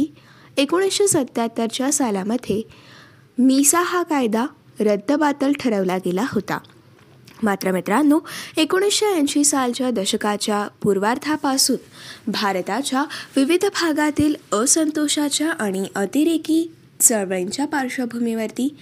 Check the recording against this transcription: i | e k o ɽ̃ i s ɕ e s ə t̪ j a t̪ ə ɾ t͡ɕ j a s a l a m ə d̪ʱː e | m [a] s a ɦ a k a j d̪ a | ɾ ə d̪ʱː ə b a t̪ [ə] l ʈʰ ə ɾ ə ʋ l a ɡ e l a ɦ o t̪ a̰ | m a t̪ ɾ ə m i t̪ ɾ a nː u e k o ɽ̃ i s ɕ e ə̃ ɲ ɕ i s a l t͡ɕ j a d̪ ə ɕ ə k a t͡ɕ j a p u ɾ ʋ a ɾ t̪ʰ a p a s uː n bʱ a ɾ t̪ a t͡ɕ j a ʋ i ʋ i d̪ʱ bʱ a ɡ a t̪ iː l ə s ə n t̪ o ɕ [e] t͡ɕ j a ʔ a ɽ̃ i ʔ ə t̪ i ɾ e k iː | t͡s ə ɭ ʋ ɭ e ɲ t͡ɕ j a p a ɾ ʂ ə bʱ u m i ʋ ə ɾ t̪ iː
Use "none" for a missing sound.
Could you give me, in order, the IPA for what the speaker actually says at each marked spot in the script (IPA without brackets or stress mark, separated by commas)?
i, ə, a